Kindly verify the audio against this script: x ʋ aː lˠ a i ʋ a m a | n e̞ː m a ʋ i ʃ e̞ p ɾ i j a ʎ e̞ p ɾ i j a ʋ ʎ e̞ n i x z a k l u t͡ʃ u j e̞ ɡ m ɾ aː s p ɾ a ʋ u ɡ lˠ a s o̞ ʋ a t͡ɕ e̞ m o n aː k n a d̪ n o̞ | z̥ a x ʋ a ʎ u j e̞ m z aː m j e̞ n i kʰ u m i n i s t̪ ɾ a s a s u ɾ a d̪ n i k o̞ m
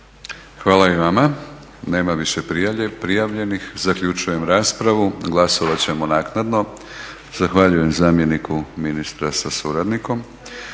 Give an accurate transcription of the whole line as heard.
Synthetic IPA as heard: x ʋ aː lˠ a i ʋ a m a | n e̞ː m a ʋ i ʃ e̞ p ɾ i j a ʎ e̞ p ɾ i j a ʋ ʎ e̞ n i x z a k ʎ u t͡ʃ u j e̞ m ɾ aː s p ɾ a ʋ u ɡ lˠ a s o̞ ʋ a t͡ɕ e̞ m o n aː k n a d̪ n o̞ | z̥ a x ʋ a ʎ u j e̞ m z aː m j e̞ n i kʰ u m i n i s t̪ ɾ a s a s u ɾ a d̪ n i k o̞ m